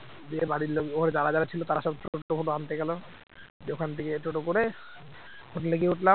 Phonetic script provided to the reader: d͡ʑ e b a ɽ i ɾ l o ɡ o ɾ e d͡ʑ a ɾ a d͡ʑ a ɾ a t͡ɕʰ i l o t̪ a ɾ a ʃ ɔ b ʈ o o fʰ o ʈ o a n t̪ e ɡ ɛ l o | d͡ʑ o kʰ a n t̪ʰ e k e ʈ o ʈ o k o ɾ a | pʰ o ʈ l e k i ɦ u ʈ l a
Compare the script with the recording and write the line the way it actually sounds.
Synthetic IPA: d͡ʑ e b a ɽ i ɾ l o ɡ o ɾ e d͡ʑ a ɾ a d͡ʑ a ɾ a t͡ɕʰ i l o t̪ a ɾ a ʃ ɔ b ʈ o o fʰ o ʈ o a n t̪ e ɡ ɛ l o | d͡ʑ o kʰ a n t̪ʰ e k e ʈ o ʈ o k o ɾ e | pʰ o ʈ l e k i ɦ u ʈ l a